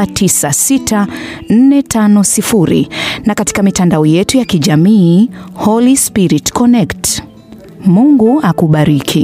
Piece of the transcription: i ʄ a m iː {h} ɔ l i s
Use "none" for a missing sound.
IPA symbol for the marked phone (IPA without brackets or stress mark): h